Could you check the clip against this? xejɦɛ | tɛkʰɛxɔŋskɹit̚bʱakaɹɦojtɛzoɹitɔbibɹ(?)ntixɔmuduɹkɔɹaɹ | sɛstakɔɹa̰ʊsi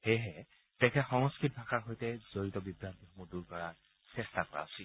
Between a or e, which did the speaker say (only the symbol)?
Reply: a